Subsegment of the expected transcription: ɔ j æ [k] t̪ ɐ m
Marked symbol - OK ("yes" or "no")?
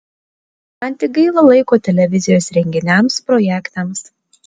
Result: yes